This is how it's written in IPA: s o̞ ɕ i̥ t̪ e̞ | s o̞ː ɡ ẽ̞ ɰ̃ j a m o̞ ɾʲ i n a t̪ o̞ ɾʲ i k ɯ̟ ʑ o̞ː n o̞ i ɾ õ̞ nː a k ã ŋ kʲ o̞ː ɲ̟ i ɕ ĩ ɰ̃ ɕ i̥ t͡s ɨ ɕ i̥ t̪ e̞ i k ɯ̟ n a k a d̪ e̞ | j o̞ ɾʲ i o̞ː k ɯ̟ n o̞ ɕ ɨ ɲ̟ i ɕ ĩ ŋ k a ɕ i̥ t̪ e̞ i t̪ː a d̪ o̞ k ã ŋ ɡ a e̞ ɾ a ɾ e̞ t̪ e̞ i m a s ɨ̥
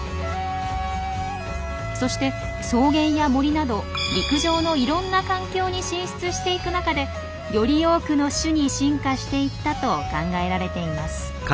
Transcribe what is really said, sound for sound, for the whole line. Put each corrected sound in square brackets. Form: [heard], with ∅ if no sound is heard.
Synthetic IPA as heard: s o̞ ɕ i̥ t̪ e̞ | s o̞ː ɡ ẽ̞ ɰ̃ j a m o̞ ɾʲ i n a [d̪] o̞ ɾʲ i k ɯ̟ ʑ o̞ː n o̞ i ɾ õ̞ nː a k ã ŋ kʲ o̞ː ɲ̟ i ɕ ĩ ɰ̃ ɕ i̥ t͡s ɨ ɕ i̥ t̪ e̞ i k ɯ̟ n a k a d̪ e̞ | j o̞ ɾʲ i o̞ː k ɯ̟ n o̞ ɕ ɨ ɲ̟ i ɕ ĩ ŋ k a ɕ i̥ t̪ e̞ i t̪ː a [t̪] o̞ k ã ŋ ɡ a e̞ ɾ a ɾ e̞ t̪ e̞ i m a s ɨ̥

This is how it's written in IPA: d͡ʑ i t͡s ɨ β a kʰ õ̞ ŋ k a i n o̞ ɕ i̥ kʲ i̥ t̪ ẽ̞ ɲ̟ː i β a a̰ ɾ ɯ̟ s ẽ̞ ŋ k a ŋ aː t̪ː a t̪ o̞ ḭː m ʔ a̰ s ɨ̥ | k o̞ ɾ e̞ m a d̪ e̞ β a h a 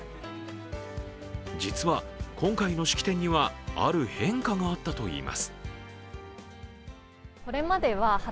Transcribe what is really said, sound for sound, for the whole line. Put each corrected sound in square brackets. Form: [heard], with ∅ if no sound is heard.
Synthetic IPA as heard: d͡ʑ i t͡s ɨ β a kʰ õ̞ ŋ k a i n o̞ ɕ i̥ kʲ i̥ t̪ ẽ̞ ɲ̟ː i β a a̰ ɾ ɯ̟ [h] ẽ̞ ŋ k a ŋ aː t̪ː a t̪ o̞ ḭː m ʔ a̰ s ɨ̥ | k o̞ ɾ e̞ m a d̪ e̞ β a h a

